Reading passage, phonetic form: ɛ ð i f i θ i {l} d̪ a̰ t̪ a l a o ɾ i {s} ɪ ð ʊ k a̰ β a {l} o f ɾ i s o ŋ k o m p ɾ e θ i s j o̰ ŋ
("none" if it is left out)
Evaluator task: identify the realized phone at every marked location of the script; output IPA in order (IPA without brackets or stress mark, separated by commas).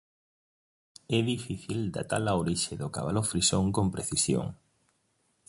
l, ʃ, l